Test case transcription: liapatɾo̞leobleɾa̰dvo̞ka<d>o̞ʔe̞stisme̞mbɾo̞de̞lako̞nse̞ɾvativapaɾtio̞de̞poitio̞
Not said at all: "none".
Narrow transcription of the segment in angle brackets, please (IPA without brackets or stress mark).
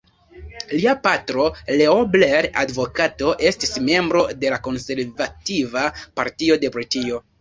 t